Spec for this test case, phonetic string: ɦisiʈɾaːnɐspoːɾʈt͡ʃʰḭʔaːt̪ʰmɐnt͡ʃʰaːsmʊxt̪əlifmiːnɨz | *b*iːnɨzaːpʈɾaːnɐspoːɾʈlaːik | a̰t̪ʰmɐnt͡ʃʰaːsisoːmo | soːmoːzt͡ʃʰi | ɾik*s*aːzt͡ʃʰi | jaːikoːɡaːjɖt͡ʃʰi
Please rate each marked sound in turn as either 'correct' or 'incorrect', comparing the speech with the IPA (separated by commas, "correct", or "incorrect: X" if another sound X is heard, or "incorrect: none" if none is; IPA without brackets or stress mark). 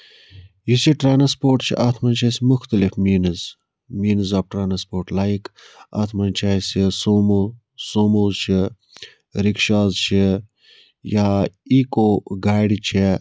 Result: incorrect: m, incorrect: ʃ